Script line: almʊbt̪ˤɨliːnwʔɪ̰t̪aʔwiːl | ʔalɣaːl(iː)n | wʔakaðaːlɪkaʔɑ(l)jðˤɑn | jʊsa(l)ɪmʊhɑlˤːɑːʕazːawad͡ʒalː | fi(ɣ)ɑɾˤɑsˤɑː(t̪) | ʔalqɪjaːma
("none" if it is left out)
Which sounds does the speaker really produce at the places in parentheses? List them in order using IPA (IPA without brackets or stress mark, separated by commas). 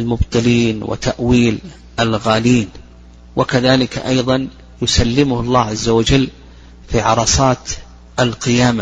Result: iː, none, lː, ʕ, t̪